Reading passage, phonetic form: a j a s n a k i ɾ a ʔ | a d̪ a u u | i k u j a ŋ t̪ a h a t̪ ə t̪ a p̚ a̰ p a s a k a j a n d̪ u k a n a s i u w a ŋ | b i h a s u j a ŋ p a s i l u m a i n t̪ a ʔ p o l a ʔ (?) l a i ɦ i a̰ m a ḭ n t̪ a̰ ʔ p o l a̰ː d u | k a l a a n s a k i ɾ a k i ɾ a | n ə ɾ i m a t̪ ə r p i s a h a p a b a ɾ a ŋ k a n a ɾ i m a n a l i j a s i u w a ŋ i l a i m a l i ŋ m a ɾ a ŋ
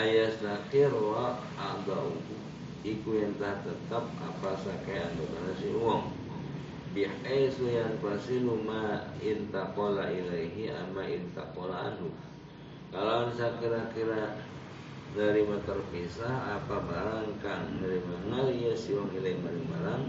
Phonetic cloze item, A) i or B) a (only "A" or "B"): A